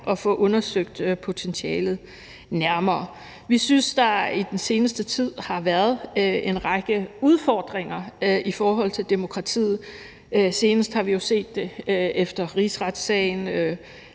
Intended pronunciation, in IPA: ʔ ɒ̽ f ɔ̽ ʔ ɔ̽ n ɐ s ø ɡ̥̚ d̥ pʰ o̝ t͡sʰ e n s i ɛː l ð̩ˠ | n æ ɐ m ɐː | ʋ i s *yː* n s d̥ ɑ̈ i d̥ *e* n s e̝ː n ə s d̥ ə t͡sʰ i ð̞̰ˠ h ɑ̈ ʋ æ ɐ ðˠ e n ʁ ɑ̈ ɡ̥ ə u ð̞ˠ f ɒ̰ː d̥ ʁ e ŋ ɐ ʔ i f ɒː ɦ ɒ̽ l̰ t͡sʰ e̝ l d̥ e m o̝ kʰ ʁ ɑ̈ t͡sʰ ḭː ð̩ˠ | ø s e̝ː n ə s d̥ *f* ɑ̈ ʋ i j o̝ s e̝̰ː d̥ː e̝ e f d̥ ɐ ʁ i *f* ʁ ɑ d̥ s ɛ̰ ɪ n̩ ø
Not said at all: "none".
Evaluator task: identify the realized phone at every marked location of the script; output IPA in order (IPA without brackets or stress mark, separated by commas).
y, e, h, s